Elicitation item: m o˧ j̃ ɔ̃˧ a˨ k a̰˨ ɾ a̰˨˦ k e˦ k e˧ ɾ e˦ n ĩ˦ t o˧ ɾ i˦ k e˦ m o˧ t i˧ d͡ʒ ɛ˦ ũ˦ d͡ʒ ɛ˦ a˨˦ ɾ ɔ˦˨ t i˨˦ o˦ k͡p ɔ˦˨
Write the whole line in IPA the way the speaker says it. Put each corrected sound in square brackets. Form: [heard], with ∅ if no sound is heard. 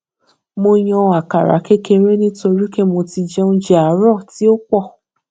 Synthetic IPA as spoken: m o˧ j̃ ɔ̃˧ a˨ k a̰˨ ɾ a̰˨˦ k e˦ k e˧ ɾ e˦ n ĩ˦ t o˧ ɾ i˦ k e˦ m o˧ t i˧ d͡ʒ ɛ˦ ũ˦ d͡ʒ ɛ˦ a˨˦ ɾ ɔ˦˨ t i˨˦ o˦ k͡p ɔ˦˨